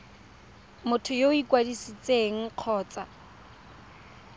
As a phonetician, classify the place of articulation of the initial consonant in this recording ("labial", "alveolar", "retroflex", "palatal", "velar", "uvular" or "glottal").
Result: labial